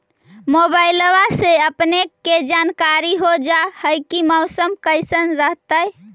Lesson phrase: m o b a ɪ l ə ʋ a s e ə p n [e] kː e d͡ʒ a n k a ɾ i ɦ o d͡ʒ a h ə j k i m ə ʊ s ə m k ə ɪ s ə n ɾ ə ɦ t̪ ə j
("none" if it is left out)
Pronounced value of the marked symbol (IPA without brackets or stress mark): e